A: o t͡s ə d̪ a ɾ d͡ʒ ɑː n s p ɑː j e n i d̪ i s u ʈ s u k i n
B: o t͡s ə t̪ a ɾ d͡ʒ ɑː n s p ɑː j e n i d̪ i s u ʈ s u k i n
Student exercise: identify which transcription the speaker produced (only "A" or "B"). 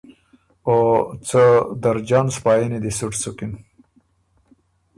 A